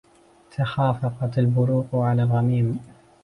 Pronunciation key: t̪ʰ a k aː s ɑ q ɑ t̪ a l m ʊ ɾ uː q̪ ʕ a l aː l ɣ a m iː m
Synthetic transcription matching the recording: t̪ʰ a x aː f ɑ q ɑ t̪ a l b ʊ ɾ uː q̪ ʕ a l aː l ɣ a m iː m